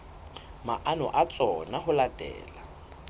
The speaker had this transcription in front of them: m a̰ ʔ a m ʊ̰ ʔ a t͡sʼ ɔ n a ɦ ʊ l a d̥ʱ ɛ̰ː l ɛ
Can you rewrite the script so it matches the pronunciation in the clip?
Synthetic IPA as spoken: m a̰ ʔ a n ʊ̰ ʔ a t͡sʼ ɔ n a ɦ ʊ l a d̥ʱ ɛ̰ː l a